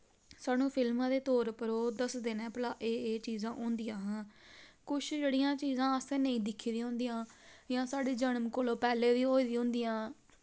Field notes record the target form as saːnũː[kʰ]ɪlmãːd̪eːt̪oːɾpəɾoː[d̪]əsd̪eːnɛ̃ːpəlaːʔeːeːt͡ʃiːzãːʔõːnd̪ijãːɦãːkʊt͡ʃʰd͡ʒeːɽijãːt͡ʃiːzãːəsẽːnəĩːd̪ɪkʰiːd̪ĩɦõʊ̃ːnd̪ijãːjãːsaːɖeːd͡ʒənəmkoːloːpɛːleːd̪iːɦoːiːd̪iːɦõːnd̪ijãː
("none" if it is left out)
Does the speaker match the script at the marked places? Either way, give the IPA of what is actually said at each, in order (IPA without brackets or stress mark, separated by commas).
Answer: pʰ, d̪